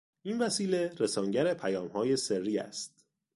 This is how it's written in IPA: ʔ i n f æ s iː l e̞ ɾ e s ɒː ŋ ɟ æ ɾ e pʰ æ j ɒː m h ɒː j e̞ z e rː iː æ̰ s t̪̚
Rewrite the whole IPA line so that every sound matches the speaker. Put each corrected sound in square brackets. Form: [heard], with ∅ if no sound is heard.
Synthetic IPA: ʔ i n [v] æ s iː l e̞ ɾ e s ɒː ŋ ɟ æ ɾ e pʰ æ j ɒː m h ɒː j e̞ [s] e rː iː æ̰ s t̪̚